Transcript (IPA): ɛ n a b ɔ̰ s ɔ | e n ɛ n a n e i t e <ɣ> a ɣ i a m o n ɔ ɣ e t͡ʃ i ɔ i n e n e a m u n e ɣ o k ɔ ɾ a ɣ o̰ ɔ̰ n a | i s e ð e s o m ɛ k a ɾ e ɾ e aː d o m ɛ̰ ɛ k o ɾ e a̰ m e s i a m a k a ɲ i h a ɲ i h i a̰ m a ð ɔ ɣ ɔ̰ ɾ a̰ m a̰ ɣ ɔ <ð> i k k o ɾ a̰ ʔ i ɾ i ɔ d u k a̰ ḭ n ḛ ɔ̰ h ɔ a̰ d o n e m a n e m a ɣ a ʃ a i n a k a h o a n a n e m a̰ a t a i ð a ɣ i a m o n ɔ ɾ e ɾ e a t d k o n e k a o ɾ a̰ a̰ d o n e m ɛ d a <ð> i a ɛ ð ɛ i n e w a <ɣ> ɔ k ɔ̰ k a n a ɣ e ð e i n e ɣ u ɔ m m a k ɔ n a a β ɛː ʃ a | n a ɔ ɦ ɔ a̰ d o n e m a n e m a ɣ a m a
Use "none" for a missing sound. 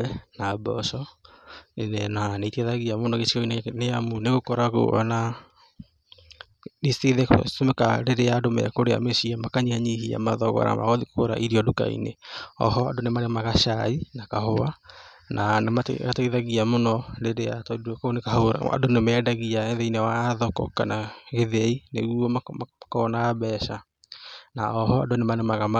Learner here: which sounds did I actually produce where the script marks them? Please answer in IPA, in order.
ð, ð, ɣ, ð

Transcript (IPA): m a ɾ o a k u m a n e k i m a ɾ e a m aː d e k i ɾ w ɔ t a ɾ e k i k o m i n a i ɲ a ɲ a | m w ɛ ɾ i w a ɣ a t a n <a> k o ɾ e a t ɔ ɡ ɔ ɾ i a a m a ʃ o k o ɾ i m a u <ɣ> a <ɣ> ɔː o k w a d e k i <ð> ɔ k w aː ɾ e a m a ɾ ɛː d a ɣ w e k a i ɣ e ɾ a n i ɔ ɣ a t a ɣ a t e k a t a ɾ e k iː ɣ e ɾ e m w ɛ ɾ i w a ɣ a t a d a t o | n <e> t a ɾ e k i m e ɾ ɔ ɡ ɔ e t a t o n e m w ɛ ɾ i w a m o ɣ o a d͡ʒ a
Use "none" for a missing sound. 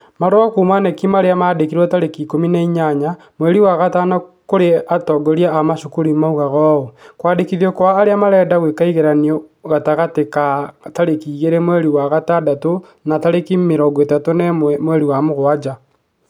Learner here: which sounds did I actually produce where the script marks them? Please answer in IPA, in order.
a, ɣ, ɣ, ð, a

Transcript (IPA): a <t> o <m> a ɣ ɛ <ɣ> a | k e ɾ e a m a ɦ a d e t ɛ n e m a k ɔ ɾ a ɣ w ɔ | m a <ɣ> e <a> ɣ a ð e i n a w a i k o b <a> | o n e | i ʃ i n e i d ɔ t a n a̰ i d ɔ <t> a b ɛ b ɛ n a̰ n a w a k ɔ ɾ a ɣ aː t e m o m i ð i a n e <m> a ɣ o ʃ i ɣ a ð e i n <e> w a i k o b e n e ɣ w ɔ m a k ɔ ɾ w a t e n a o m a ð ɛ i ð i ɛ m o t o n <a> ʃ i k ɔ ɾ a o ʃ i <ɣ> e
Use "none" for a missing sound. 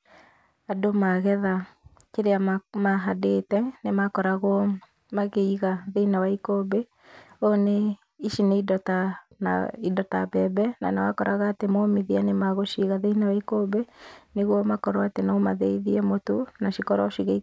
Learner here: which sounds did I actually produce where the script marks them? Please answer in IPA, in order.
d, m, ð, ɣ, i, e, t, m, a, a, ɣ

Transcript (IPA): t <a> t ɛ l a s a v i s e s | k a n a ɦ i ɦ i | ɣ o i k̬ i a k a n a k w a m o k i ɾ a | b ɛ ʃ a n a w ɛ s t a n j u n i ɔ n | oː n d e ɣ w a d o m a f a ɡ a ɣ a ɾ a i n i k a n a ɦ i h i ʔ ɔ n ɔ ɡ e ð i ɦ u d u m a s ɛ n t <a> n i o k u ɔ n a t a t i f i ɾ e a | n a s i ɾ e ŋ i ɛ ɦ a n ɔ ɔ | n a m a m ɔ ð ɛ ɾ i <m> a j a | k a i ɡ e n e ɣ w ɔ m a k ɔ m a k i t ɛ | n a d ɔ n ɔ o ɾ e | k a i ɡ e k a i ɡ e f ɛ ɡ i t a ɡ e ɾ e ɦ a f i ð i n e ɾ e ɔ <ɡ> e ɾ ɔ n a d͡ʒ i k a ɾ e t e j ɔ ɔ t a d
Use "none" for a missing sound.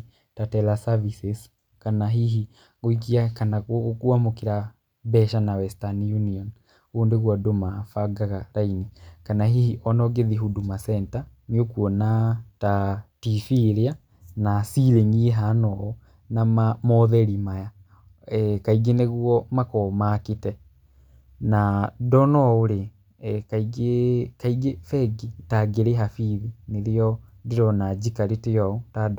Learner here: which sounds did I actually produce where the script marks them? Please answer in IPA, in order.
a, a, m, d

